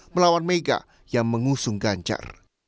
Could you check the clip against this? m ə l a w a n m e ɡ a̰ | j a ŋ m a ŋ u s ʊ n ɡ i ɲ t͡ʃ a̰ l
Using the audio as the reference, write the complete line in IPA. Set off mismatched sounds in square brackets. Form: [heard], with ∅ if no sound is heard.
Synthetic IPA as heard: m ə l a w a n m e ɡ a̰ | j a ŋ m [ə] ŋ u s ʊ [ŋ] ɡ [a] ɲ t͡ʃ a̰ [r]